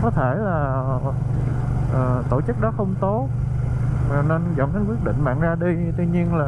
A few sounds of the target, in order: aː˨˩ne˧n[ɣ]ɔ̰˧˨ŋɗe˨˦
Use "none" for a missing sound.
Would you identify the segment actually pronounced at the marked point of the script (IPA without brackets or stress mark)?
z